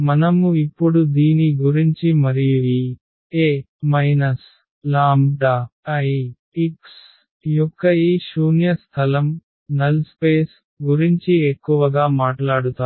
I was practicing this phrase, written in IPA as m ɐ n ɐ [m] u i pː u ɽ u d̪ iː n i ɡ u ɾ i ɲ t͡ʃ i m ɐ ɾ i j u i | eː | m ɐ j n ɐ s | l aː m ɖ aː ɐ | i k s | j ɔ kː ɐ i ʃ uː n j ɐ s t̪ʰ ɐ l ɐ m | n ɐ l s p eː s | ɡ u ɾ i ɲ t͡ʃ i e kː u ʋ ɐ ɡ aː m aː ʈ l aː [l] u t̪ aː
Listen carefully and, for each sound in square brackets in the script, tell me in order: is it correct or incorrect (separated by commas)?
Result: correct, incorrect